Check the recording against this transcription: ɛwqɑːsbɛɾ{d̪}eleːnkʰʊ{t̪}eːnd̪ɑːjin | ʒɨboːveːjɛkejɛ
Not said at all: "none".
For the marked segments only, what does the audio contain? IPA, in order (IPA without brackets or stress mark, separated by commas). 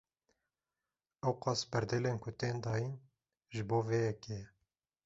d̪, t̪